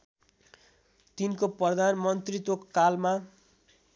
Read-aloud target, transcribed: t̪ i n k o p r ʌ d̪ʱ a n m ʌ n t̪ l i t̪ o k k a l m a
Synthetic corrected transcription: t̪ i n k o p r ʌ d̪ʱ a n m ʌ n t̪ r i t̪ o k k a l m a